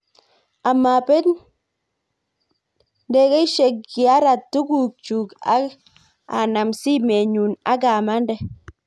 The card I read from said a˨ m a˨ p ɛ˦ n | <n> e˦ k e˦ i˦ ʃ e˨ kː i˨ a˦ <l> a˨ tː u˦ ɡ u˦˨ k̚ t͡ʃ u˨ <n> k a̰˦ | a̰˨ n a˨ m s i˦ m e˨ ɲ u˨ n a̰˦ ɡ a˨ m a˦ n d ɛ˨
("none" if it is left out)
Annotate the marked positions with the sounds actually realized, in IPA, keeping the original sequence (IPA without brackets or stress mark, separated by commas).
d, ɾ, none